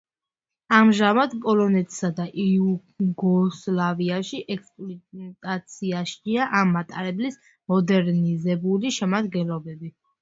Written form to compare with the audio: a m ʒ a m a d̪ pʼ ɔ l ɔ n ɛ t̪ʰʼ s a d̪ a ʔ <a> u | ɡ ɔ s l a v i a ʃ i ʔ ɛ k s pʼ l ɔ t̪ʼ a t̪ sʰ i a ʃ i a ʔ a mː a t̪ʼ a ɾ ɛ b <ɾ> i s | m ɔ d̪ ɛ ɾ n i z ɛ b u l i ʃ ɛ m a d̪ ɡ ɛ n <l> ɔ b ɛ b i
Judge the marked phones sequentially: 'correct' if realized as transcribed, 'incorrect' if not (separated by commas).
incorrect, incorrect, correct